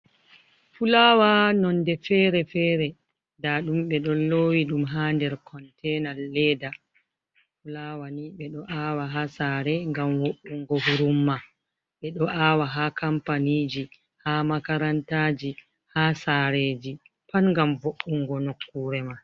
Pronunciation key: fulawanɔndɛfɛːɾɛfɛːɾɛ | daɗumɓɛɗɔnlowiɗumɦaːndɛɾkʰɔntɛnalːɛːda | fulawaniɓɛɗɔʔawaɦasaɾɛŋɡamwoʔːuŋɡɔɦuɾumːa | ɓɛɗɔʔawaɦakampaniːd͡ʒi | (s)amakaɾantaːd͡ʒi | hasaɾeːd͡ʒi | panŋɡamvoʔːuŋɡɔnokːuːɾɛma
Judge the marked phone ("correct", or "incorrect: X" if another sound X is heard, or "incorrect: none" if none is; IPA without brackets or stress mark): incorrect: h